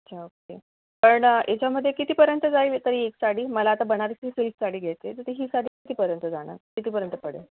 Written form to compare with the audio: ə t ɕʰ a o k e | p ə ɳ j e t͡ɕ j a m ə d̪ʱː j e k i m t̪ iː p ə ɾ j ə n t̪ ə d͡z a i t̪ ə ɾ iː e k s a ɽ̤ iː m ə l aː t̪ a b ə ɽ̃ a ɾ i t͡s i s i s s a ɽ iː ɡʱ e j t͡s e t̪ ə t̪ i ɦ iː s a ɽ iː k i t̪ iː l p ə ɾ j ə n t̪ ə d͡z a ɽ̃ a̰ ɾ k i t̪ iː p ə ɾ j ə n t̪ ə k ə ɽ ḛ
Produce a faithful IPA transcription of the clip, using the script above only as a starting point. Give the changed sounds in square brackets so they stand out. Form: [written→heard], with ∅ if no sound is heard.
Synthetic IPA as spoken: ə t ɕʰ a o k e | p ə ɳ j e t͡ɕ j a m ə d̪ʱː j e k i [m→∅] t̪ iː p ə ɾ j ə n t̪ ə d͡z a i t̪ ə ɾ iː e k s a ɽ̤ iː m ə l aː t̪ a b ə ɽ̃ a ɾ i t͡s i s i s s a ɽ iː ɡʱ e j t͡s e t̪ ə t̪ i ɦ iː s a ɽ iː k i t̪ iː [l→∅] p ə ɾ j ə n t̪ ə d͡z a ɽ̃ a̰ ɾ k i t̪ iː p ə ɾ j ə n t̪ ə [k→p] ə ɽ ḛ